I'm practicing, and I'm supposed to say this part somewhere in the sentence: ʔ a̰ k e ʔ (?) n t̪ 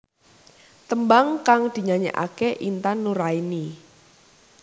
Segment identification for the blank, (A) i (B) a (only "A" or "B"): A